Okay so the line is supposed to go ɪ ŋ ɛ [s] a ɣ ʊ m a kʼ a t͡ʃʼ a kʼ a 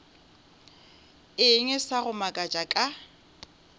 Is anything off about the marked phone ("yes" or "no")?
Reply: no